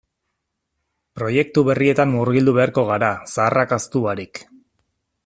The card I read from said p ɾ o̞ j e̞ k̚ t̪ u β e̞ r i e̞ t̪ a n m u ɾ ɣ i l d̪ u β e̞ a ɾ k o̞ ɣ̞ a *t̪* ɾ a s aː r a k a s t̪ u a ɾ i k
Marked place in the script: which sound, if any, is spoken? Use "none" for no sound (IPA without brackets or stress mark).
none